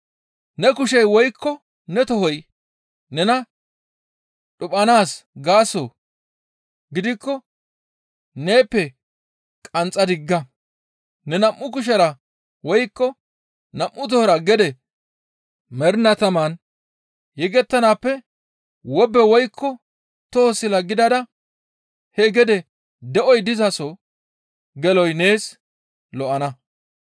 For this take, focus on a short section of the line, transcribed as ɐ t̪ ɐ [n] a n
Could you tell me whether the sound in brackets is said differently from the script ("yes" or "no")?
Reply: yes